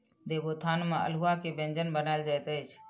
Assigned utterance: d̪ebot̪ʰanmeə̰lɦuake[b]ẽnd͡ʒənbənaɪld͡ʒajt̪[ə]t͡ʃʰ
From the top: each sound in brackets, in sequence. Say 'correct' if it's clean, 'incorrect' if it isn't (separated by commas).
correct, correct